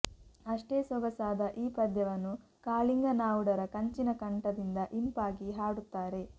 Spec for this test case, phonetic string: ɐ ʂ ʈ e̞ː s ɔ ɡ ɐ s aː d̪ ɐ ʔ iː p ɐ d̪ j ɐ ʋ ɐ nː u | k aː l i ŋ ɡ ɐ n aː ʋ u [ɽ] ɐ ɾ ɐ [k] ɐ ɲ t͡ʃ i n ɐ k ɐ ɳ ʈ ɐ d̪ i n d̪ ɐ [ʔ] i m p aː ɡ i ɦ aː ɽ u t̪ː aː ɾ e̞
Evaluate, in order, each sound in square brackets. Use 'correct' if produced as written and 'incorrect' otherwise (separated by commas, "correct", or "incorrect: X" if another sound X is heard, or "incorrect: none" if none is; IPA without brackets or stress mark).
correct, correct, correct